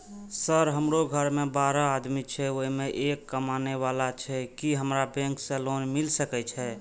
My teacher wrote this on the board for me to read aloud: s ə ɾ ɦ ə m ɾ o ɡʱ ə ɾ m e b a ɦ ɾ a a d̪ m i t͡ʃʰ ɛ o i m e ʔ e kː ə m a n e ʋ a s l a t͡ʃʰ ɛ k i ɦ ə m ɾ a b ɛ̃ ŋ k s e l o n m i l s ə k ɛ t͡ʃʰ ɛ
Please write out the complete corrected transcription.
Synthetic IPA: s ə ɾ ɦ ə m ɾ o ɡʱ ə ɾ m e b a ɾ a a d̪ m i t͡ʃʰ ɛ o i m e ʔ e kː ə m a n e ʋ a l a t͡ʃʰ ɛ k i ɦ ə m ɾ a b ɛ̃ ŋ k s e l o n m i l s ə k ɛ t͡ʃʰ ɛ

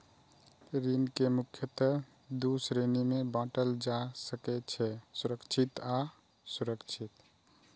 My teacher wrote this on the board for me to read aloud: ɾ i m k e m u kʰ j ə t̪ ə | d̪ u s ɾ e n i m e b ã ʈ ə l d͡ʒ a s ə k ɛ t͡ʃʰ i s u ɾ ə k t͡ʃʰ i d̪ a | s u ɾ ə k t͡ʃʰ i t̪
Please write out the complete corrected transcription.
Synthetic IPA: ɾ i n k e m u kʰ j ə t̪ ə | d̪ u s ɾ e n i m e b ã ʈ ə l d͡ʒ a s ə k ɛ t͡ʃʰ ɛ s u ɾ ə k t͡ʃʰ i t̪ a | s u ɾ ə k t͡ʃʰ i t̪

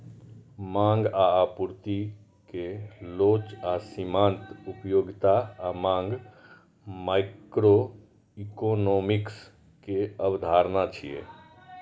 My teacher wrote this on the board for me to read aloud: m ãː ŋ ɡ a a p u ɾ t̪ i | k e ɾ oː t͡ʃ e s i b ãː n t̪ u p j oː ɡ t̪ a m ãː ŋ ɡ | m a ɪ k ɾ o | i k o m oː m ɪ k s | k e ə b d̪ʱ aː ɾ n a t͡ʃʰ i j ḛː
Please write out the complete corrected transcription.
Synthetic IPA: m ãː ŋ ɡ a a p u ɾ t̪ i | k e l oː t͡ʃ a s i m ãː n t̪ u p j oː ɡ t̪ a m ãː ŋ ɡ | m a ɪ k ɾ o | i k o n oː m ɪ k s | k e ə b d̪ʱ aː ɾ n a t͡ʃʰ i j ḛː

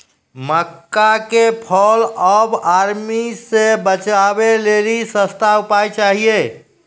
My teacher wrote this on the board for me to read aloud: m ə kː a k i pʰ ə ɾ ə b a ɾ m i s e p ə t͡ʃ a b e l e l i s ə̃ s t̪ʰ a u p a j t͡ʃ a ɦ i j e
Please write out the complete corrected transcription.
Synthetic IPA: m ə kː a k e pʰ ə l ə b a ɾ m i s e b ə t͡ʃ a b e l e l i s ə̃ s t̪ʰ a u p a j t͡ʃ a ɦ i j e

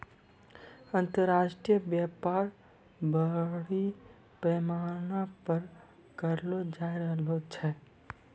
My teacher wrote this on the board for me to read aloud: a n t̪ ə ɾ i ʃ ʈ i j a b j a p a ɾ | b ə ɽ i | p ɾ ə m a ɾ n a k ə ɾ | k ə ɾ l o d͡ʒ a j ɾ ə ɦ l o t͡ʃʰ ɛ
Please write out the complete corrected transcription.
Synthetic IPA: ə n t̪ ə ɾ a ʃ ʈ i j ə b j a p a ɾ | b ə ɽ i | p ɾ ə m a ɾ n a p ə ɾ | k ə ɾ l o d͡ʒ a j ɾ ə ɦ l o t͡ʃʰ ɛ

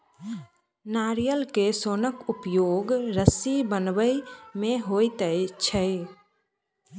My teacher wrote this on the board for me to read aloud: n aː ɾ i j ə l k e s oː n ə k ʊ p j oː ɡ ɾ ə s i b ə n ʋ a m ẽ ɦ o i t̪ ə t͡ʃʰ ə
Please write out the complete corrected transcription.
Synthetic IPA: n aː ɾ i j ə l k e s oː n ə k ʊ p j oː ɡ ɾ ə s i b ə n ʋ ə m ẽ ɦ o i t̪ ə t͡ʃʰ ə

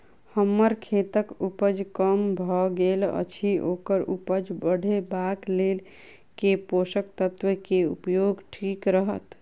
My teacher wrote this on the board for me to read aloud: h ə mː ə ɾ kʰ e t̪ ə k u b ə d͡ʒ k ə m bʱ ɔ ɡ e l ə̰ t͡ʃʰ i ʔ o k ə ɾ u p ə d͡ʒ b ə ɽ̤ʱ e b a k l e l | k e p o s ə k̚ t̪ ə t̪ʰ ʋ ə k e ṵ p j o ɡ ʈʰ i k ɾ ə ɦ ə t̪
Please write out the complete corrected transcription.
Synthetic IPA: h ə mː ə ɾ kʰ e t̪ ə k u p ə d͡ʒ k ə m bʱ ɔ ɡ e l ə̰ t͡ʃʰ i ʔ o k ə ɾ u p ə d͡ʒ b ə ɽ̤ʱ e b a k l e l | k e p o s ə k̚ t̪ ə t̪ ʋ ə k e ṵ p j o ɡ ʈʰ i k ɾ ə ɦ ə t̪

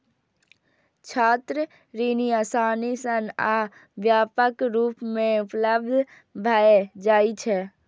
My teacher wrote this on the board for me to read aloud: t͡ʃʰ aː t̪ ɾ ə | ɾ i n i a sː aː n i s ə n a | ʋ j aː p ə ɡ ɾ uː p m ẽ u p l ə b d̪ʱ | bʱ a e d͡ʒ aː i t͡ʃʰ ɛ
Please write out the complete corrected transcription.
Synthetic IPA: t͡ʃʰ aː t̪ ɾ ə | ɾ i n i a s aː n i s ə n a | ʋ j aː p ə k ɾ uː p m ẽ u p l ə b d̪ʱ | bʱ a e d͡ʒ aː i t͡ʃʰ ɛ

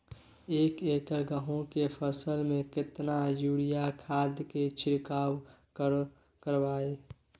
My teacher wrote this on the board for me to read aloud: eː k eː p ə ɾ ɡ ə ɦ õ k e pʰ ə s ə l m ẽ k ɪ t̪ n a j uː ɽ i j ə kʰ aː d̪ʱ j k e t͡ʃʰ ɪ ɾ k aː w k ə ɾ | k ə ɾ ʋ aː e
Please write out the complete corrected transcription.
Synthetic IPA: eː k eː k ə ɾ ɡ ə ɦ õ k e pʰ ə s ə l m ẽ k ɪ t̪ n a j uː ɽ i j a kʰ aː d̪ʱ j k e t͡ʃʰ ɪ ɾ k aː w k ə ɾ | k ə ɾ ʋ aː e

